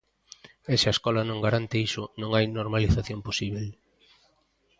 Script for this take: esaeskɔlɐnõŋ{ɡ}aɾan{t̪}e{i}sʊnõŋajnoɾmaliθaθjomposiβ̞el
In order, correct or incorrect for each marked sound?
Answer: correct, correct, correct

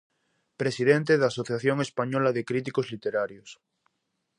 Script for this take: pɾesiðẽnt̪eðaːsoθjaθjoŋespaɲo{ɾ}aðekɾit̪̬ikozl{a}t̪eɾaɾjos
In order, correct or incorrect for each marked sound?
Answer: incorrect, incorrect

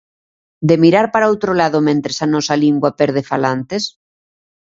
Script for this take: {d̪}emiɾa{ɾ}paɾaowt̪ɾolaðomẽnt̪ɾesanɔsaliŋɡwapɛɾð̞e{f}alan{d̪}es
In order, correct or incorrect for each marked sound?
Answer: correct, correct, correct, incorrect

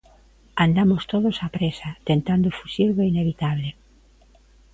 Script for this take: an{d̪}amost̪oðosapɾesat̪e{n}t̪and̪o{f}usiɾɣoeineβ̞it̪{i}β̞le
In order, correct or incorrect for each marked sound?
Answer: correct, correct, correct, incorrect

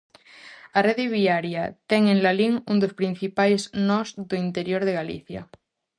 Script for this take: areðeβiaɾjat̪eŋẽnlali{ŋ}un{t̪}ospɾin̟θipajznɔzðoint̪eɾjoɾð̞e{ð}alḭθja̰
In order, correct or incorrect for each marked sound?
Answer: correct, incorrect, incorrect

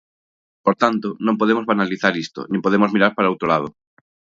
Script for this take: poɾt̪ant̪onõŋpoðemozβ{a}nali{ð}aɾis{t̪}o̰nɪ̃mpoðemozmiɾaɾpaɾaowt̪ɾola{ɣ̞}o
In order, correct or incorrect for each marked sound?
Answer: correct, incorrect, correct, incorrect

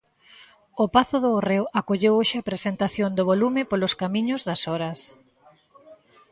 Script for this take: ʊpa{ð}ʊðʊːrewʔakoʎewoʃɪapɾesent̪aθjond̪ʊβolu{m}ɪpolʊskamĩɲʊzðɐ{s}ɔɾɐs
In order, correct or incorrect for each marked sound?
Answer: incorrect, correct, correct

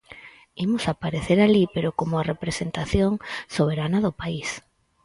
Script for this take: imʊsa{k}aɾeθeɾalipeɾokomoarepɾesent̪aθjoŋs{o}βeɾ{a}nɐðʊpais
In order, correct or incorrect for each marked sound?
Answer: incorrect, correct, correct

